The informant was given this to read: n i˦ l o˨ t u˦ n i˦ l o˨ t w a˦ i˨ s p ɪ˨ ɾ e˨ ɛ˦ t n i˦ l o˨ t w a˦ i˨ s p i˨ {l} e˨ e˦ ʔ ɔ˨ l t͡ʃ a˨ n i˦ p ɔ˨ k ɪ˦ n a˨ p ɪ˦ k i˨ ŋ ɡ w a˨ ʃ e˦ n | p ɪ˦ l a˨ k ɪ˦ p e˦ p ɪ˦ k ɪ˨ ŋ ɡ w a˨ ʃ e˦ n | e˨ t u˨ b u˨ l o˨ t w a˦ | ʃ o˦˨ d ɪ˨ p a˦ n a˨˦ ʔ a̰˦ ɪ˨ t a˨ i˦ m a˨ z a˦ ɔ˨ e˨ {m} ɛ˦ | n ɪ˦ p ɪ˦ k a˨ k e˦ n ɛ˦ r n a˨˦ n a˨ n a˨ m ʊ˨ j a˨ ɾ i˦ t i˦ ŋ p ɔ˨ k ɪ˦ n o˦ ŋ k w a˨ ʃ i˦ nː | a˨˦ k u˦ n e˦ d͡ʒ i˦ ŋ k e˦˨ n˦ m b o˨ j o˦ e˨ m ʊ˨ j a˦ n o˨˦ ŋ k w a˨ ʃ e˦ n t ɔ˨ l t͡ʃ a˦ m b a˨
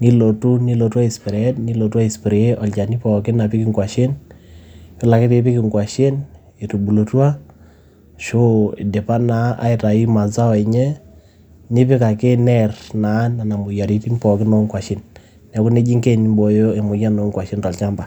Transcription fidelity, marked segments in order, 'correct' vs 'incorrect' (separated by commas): incorrect, incorrect